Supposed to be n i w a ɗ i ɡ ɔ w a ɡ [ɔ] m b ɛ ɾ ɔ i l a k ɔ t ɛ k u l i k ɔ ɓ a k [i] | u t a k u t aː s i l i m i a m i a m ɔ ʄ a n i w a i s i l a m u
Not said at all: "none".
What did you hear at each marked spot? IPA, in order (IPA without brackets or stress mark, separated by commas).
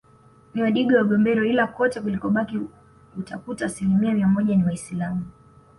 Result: ɔ, i